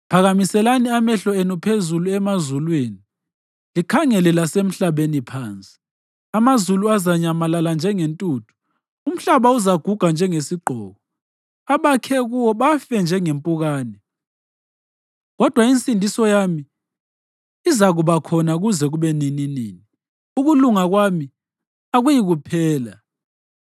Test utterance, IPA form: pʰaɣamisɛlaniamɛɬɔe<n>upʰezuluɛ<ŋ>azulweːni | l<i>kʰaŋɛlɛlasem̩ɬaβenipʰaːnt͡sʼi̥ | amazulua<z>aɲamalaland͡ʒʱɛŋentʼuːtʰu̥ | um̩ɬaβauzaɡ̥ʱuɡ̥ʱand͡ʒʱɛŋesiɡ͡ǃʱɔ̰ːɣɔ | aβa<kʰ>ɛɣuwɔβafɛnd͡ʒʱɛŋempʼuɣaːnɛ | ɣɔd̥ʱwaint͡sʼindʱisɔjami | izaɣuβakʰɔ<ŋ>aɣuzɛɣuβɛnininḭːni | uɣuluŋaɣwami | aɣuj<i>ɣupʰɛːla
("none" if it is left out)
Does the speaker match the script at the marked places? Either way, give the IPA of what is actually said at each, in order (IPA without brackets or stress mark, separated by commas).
n, m, i, z, kʰ, n, i